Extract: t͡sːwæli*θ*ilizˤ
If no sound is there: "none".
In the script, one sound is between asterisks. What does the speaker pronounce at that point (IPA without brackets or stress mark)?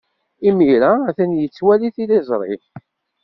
θ